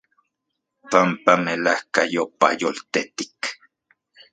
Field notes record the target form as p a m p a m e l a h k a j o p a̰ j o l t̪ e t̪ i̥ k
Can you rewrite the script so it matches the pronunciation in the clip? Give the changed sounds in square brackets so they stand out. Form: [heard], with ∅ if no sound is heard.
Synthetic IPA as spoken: p a m p a m e l a h k a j o p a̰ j o l t̪ e t̪ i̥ k